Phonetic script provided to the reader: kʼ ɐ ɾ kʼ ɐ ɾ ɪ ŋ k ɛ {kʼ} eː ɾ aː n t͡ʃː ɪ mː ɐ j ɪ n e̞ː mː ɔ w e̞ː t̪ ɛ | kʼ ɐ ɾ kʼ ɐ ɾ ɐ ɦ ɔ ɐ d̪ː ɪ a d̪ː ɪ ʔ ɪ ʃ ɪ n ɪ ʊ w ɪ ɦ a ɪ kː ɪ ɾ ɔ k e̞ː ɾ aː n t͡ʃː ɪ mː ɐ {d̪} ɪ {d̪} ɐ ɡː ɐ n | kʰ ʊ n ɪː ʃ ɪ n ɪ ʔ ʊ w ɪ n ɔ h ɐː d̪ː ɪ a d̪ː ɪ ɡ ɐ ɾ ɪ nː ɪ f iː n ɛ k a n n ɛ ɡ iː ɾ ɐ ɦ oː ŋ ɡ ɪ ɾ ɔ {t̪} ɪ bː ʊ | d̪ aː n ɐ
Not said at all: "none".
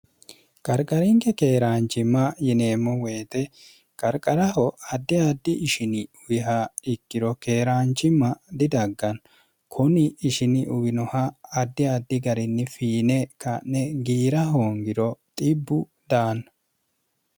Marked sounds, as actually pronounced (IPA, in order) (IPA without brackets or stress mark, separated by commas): k, d̪, d̪, t̪ʼ